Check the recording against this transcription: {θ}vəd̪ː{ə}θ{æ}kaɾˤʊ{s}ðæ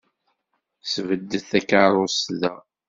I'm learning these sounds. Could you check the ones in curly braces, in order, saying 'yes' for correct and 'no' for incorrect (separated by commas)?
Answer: no, yes, yes, yes